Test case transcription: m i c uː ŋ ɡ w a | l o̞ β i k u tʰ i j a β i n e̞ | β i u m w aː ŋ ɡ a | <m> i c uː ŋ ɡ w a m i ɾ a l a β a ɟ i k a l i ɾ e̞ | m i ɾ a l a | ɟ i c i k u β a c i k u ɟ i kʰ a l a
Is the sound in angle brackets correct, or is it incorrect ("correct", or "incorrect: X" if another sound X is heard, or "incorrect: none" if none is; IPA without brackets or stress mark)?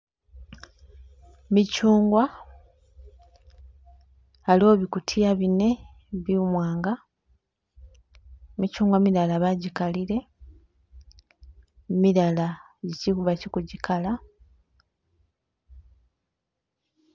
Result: correct